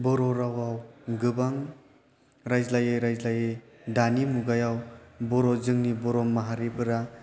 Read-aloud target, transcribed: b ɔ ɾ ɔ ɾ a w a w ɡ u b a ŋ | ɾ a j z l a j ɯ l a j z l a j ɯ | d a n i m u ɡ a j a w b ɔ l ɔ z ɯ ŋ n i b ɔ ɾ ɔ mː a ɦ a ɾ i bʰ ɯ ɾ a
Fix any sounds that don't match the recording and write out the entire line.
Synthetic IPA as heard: b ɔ ɾ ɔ ɾ a w a w ɡ ɯ b a ŋ | ɾ a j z l a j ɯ ɾ a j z l a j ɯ | d a n i m u ɡ a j a w b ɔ ɾ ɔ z ɯ ŋ n i b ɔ ɾ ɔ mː a ɦ a ɾ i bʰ ɯ ɾ a